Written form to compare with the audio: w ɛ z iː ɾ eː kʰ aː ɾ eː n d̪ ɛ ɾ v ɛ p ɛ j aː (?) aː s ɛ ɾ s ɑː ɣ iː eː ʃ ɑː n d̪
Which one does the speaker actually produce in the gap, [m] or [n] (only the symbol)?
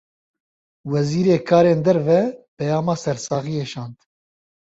m